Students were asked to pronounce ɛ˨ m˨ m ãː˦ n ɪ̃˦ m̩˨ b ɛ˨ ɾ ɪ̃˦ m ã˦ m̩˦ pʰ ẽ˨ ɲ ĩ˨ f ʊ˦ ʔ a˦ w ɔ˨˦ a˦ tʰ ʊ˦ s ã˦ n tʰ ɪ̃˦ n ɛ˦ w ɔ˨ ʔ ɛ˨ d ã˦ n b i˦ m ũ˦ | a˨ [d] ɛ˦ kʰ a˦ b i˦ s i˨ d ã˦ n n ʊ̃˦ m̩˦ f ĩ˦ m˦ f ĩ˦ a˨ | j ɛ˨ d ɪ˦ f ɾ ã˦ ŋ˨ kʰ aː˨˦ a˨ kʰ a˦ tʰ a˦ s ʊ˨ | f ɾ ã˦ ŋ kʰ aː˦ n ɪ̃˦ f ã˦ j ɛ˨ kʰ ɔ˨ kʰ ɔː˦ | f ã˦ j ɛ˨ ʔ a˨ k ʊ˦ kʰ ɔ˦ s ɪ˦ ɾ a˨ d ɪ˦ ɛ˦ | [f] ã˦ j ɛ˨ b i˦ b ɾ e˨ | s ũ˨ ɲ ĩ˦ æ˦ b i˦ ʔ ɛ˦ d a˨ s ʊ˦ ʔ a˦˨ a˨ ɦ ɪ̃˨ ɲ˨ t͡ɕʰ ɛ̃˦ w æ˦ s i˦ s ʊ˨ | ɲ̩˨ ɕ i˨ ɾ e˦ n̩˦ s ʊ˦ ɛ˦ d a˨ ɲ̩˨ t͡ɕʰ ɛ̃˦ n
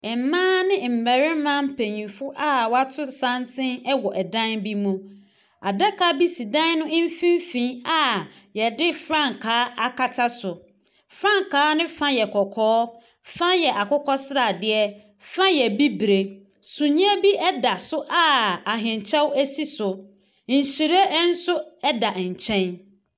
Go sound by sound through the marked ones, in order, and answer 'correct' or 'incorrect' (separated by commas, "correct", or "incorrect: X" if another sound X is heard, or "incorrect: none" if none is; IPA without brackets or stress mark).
correct, correct